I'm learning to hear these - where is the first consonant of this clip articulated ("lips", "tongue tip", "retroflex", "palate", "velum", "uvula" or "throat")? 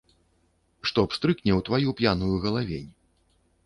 retroflex